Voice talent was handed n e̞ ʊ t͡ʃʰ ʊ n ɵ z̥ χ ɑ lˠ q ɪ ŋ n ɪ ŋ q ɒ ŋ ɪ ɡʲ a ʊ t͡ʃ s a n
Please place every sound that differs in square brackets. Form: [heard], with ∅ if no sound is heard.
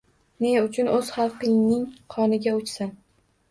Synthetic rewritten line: n e̞ ʊ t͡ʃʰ ʊ n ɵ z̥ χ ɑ lˠ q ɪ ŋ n ɪ ŋ [qʰ] ɒ [n] ɪ ɡʲ a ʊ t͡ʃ s a n